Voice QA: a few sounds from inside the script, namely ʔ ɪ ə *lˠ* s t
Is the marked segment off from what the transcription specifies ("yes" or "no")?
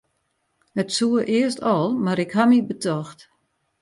yes